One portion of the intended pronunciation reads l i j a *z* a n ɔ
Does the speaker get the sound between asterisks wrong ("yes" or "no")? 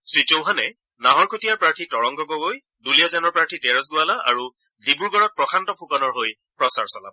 no